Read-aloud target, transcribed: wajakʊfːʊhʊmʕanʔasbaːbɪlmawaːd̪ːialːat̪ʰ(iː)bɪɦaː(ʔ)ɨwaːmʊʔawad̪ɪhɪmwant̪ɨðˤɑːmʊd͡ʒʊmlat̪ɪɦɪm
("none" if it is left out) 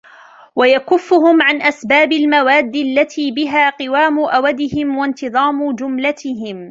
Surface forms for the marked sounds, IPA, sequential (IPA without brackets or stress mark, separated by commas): iː, q